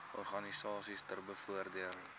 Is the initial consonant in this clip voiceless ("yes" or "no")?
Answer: no